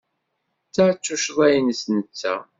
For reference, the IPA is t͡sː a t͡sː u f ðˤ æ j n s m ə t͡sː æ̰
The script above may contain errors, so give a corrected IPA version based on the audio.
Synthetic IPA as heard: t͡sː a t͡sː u ʃ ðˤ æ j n s n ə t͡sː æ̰